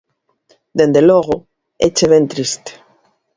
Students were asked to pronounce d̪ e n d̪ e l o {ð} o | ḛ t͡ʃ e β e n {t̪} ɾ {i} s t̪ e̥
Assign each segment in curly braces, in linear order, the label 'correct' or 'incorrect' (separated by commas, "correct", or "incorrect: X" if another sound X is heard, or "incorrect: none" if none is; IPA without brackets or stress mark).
incorrect: ɣ, correct, correct